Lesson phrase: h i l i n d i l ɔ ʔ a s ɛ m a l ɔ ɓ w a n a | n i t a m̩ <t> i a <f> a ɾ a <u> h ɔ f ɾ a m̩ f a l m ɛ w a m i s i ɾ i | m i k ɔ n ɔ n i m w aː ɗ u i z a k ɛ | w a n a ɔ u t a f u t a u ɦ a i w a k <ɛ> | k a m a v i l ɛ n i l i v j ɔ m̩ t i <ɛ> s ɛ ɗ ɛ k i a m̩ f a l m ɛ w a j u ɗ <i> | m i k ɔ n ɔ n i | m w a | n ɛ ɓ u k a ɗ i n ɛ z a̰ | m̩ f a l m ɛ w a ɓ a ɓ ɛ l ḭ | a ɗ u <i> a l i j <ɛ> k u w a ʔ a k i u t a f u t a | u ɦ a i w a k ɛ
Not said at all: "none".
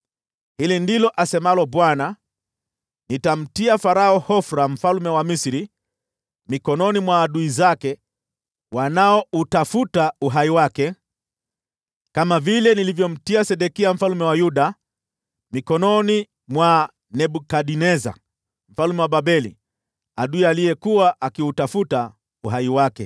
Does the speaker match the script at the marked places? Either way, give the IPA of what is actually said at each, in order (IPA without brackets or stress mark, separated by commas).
t, f, ɔ, ɛ, a, a, i, ɛ